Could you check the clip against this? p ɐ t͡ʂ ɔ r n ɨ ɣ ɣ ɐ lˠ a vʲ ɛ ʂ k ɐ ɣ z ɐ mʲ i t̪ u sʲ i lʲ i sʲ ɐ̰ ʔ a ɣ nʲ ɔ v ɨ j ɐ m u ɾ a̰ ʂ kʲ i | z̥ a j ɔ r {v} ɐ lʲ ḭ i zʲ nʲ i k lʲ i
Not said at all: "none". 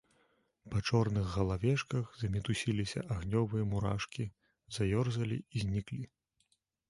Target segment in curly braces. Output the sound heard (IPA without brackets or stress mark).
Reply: z